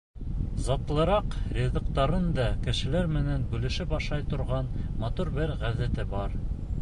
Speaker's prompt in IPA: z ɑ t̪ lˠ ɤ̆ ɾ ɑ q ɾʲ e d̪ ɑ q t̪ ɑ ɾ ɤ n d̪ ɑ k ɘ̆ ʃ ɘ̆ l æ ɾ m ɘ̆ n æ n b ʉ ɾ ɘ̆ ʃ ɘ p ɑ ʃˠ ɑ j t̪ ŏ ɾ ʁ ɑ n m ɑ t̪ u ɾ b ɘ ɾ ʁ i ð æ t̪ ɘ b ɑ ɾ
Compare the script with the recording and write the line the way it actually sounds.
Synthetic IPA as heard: z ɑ t̪ lˠ ɤ̆ ɾ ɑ q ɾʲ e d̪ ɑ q t̪ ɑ ɾ ɤ n d̪ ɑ k ɘ̆ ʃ ɘ̆ l æ ɾ m ɘ̆ n æ n b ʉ l ɘ̆ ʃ ɘ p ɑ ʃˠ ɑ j t̪ ŏ ɾ ʁ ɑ n m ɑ t̪ u ɾ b ɘ ɾ ʁ æ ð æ t̪ ɘ b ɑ ɾ